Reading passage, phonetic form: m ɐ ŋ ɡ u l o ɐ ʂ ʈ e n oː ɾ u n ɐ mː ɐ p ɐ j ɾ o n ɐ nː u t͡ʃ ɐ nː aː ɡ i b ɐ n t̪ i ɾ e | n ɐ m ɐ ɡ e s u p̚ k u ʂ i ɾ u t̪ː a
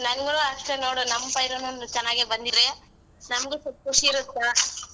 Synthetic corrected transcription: n ɐ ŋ ɡ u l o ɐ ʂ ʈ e n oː ɽ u n ɐ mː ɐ p ɐ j ɾ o n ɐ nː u t͡ʃ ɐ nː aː ɡ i b ɐ n d̪ i ɾ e | n ɐ m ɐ ɡ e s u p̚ k u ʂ i ɾ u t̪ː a